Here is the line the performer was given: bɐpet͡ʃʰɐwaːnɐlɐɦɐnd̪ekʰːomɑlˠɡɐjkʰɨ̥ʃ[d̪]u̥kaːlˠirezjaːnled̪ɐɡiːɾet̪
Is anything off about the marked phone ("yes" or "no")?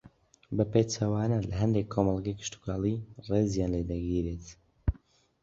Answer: yes